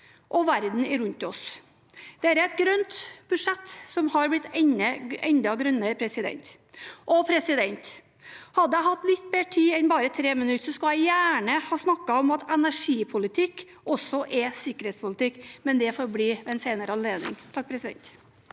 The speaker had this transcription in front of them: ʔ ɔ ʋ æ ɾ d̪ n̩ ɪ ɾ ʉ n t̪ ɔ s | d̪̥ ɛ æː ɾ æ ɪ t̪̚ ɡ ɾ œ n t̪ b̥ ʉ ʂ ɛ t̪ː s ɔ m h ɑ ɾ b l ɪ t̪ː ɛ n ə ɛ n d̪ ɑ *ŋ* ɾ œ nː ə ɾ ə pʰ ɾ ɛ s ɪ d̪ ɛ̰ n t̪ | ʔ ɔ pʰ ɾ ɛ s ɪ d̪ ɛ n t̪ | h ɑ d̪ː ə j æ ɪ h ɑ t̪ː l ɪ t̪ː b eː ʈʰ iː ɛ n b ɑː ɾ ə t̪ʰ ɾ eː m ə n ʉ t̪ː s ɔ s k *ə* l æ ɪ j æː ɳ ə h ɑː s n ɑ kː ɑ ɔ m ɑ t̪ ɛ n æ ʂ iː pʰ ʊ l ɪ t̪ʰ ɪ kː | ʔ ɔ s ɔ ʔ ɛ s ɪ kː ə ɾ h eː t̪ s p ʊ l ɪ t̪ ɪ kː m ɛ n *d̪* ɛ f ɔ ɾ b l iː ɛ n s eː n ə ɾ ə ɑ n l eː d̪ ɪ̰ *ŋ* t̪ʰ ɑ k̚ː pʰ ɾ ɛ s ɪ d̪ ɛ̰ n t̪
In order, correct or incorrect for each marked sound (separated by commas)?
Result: incorrect, incorrect, correct, correct